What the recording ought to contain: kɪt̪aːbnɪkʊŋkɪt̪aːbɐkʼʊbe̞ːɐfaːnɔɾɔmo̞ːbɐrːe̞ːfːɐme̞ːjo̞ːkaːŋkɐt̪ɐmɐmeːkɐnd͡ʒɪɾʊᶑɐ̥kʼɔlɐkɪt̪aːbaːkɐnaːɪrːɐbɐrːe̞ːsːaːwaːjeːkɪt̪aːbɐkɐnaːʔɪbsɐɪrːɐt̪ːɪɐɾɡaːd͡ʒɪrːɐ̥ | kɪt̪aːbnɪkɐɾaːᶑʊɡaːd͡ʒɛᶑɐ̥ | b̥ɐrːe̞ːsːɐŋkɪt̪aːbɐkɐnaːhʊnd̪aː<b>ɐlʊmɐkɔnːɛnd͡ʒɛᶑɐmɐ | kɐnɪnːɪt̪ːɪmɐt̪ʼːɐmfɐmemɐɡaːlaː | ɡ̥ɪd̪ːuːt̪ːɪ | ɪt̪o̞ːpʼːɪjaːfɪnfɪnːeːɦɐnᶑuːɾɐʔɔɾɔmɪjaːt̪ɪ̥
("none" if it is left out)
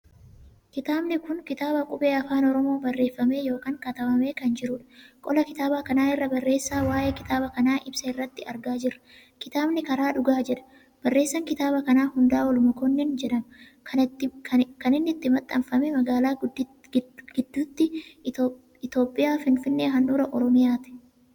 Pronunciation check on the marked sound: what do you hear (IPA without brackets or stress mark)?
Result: w